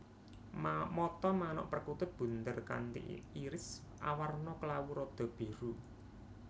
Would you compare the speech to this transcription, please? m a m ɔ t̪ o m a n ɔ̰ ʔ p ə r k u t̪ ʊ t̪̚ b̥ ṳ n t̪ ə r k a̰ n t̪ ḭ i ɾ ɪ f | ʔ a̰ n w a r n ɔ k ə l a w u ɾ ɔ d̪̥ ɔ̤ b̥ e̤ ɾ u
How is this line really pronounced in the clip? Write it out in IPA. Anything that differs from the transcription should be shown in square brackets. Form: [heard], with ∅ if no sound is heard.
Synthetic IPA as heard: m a m ɔ t̪ [ɔ] m a n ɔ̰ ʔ p ə r k u t̪ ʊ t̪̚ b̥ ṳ n t̪ ə r k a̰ n t̪ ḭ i ɾ ɪ [s] | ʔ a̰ [∅] w a r n ɔ k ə l a w u ɾ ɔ d̪̥ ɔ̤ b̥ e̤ ɾ u